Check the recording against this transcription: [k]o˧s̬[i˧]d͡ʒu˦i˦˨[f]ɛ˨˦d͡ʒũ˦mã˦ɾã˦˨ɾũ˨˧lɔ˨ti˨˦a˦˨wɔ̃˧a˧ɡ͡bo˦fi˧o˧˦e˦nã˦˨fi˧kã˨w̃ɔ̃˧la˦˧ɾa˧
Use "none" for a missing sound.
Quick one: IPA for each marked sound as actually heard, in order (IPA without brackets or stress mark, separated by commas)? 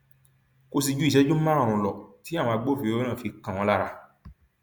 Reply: k, i˧, ʃ